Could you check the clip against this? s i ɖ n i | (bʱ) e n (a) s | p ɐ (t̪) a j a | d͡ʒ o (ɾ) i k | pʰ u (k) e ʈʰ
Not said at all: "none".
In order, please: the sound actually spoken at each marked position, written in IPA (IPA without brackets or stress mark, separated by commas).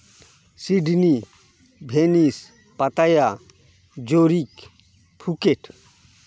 bʱ, i, t̪, ɾ, k